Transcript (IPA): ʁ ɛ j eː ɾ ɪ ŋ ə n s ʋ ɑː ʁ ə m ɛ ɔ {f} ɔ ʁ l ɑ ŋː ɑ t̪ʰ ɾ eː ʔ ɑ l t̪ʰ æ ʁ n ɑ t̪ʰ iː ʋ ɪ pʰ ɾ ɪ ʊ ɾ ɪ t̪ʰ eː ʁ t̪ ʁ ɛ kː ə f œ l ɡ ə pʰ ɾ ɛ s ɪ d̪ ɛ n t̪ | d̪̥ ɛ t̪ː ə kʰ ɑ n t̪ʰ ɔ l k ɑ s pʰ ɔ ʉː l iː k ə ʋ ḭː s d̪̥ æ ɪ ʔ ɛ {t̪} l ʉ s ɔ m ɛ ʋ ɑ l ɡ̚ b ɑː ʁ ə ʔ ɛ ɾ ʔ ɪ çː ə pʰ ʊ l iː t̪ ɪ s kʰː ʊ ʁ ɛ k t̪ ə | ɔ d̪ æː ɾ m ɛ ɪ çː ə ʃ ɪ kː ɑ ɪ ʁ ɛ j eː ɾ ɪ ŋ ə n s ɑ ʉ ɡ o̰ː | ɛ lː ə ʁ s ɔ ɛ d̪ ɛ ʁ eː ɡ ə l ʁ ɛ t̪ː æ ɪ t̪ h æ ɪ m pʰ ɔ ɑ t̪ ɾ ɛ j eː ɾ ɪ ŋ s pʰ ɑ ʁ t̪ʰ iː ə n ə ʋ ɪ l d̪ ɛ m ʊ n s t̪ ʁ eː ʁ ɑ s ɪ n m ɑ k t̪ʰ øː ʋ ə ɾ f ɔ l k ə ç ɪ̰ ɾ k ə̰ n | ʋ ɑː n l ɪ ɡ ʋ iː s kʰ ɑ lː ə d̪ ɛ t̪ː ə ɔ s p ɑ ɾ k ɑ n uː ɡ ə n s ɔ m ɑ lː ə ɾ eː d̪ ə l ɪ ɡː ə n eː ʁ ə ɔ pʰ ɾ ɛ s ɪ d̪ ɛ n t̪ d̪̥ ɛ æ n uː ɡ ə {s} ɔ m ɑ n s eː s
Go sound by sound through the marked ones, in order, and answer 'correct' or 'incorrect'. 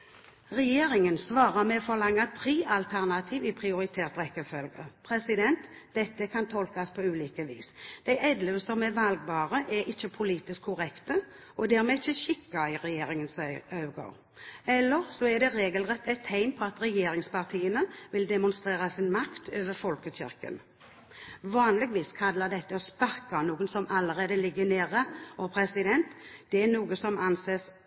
correct, incorrect, correct

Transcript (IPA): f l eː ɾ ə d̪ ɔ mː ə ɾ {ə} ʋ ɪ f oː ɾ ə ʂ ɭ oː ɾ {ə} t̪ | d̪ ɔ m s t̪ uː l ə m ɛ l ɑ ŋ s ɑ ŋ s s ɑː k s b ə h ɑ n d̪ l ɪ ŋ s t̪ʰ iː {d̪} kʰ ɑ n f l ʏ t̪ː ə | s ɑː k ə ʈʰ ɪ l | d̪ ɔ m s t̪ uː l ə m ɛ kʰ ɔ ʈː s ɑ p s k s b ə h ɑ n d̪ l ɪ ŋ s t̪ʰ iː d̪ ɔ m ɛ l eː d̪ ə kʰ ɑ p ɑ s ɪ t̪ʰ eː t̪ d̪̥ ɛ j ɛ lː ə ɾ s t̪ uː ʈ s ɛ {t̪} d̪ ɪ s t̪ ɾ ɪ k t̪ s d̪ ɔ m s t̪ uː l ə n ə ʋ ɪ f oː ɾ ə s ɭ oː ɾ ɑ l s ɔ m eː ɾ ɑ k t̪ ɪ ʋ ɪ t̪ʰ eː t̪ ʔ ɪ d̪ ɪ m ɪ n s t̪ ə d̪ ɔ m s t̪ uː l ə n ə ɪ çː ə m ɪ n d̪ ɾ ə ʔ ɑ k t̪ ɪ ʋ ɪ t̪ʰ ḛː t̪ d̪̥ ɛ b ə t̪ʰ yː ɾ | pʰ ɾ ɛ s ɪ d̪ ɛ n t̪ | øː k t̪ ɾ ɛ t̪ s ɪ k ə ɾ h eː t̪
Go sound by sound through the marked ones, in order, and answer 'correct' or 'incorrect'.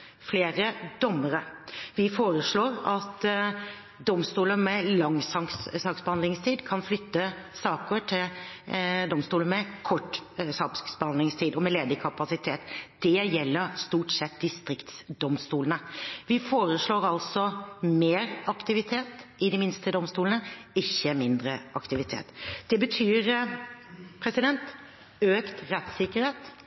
correct, incorrect, correct, correct

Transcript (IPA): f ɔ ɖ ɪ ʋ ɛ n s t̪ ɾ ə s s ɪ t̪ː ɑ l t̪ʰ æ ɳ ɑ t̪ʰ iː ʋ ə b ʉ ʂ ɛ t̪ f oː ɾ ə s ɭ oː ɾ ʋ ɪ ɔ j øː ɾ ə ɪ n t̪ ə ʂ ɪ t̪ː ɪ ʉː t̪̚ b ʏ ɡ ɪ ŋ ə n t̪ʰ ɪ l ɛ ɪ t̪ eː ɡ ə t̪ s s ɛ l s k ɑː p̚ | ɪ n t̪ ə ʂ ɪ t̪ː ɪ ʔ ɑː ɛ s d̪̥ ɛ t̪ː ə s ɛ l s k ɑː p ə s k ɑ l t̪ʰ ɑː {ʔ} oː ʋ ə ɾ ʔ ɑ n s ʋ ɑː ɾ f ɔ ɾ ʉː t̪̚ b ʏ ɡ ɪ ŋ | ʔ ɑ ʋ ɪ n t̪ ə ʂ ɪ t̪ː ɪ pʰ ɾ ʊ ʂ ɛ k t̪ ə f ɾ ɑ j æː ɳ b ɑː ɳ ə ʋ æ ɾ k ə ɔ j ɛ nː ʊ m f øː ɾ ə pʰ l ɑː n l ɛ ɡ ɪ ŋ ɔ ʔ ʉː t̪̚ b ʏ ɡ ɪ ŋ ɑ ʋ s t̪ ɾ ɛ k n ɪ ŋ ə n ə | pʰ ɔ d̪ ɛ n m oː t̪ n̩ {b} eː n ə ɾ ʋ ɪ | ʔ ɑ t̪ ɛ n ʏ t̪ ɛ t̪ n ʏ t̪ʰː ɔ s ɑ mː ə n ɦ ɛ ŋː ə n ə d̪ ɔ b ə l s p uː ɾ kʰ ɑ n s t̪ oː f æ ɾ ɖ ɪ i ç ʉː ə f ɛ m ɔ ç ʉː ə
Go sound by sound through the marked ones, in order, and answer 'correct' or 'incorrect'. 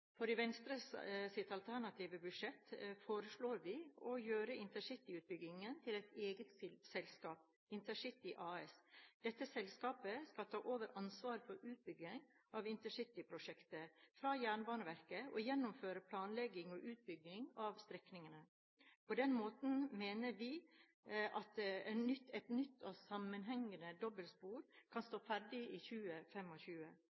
correct, incorrect

